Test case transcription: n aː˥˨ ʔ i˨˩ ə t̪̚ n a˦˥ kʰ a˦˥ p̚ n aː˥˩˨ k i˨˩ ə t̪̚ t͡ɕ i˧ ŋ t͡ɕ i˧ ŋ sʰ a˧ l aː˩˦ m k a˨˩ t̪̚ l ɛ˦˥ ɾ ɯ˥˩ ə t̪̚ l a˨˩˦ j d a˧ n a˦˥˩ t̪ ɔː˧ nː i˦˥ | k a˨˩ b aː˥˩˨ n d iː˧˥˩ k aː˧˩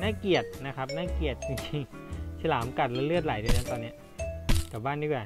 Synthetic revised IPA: n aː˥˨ k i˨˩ ə t̪̚ n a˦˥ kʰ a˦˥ p̚ n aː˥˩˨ k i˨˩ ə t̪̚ t͡ɕ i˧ ŋ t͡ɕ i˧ ŋ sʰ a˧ l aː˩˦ m k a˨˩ t̪̚ l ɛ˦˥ l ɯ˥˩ ə t̪̚ l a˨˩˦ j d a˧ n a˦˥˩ t̪ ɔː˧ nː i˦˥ | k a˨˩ b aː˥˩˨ n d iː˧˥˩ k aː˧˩